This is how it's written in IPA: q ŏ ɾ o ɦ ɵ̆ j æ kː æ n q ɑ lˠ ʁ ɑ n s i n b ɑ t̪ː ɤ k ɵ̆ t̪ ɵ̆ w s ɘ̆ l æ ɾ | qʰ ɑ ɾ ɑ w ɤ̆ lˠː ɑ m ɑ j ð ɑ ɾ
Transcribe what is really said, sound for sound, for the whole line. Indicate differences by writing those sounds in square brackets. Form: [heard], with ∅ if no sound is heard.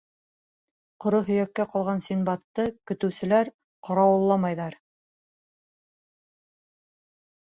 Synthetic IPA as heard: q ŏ ɾ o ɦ ɵ̆ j æ kː æ [∅] q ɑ lˠ ʁ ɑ n s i n b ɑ t̪ː ɤ k ɵ̆ t̪ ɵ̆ w s ɘ̆ l æ ɾ | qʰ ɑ ɾ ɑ w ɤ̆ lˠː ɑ m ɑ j ð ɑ ɾ

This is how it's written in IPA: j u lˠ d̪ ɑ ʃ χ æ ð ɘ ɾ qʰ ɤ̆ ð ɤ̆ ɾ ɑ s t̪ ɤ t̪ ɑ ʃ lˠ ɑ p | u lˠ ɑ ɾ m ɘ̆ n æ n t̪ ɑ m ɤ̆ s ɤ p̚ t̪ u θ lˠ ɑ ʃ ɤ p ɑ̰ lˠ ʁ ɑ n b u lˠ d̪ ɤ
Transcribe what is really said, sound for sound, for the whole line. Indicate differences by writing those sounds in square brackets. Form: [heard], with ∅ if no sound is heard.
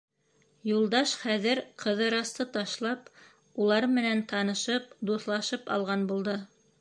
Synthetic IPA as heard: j u lˠ d̪ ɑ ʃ χ æ ð ɘ ɾ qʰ ɤ̆ ð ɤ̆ ɾ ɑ s t̪ ɤ t̪ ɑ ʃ lˠ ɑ p | u lˠ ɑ ɾ m ɘ̆ n æ n t̪ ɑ [n] ɤ̆ [ʃ] ɤ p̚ [d̪] u θ lˠ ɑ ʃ ɤ p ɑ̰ lˠ ʁ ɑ n b u lˠ d̪ ɤ

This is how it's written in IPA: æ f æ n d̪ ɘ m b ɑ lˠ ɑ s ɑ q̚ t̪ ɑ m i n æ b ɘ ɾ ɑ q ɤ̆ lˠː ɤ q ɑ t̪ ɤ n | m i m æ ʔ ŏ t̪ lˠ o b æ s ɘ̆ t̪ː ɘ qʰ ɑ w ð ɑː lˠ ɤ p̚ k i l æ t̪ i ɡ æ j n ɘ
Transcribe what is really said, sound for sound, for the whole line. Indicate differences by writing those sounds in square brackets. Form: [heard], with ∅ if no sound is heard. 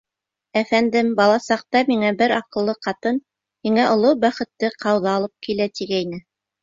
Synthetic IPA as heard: æ f æ n d̪ ɘ m b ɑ lˠ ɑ s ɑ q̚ t̪ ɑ m i [ŋ] æ b ɘ ɾ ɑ q ɤ̆ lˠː ɤ q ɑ t̪ ɤ n | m i [ŋ] æ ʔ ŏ [∅] lˠ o b æ [χ] ɘ̆ t̪ː ɘ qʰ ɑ w ð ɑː lˠ ɤ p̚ k i l æ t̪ i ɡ æ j n ɘ

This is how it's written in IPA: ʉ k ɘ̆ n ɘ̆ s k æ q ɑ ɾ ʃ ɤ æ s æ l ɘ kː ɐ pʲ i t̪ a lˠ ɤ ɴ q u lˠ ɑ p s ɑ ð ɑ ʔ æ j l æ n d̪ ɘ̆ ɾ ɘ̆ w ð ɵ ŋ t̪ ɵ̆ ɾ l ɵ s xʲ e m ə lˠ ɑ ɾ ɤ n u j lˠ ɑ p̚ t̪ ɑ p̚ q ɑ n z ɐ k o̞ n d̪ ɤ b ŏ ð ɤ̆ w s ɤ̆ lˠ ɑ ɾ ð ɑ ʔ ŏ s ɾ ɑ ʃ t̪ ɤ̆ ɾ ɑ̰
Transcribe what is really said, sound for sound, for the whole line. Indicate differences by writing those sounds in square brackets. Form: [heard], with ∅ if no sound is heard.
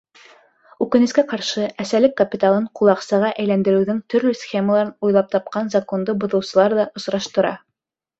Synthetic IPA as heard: ʉ k ɘ̆ n ɘ̆ s k æ q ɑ ɾ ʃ ɤ æ s æ l ɘ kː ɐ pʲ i t̪ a lˠ ɤ ɴ q u lˠ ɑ [q] s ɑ [ʁ] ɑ ʔ æ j l æ n d̪ ɘ̆ ɾ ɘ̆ w ð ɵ ŋ t̪ ɵ̆ ɾ l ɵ s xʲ e m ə lˠ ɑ ɾ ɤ n u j lˠ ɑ p̚ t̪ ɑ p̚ q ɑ n z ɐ k o̞ n d̪ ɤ b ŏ ð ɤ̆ w s ɤ̆ lˠ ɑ ɾ ð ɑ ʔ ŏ s ɾ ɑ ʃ t̪ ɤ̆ ɾ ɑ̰

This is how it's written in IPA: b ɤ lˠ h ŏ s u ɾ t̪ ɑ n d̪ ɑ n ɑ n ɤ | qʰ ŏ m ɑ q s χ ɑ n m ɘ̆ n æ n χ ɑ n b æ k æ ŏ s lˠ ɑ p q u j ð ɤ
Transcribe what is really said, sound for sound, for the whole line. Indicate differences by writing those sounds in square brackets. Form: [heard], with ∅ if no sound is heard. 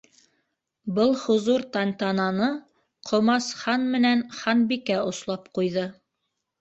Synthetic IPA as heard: b ɤ lˠ h ŏ [z] u ɾ t̪ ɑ n [t̪] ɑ n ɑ n ɤ | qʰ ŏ m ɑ [∅] s χ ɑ n m ɘ̆ n æ n χ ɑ n b [i] k æ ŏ s lˠ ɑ p q u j ð ɤ

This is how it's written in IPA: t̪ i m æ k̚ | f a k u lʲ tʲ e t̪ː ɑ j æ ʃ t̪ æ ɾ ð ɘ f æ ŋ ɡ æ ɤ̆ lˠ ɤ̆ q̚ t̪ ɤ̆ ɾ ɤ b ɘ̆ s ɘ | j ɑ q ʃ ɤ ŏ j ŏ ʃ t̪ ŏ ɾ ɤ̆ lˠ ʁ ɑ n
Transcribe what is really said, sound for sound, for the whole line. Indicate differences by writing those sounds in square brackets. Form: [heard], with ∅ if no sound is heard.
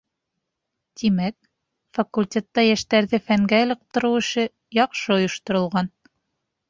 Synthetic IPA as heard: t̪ i m æ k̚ | f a k u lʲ tʲ e t̪ː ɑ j æ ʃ t̪ æ ɾ ð ɘ f æ ŋ ɡ æ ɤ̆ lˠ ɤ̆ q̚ t̪ ɤ̆ ɾ ɤ [w] ɘ̆ [ʃ] ɘ | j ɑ q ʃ ɤ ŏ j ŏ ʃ t̪ ŏ ɾ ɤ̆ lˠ ʁ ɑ n

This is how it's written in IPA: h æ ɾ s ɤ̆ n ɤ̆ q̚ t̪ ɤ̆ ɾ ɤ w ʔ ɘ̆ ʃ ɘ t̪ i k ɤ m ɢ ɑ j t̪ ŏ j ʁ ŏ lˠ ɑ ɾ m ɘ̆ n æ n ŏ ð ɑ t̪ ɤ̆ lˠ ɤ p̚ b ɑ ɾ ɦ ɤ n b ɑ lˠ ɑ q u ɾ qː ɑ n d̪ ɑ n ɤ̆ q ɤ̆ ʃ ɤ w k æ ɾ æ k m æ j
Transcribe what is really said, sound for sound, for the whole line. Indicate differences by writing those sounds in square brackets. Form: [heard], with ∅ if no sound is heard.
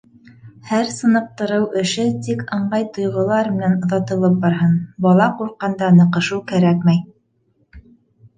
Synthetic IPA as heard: h æ ɾ s ɤ̆ n ɤ̆ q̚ t̪ ɤ̆ ɾ ɤ w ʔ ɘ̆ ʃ ɘ t̪ i k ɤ [ɴ] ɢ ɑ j t̪ ŏ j ʁ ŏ lˠ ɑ ɾ m ɘ̆ n æ n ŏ ð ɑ t̪ ɤ̆ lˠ ɤ p̚ b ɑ ɾ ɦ ɤ n b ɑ lˠ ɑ q u ɾ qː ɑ n d̪ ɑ n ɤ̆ q ɤ̆ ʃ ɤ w k æ ɾ æ k m æ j

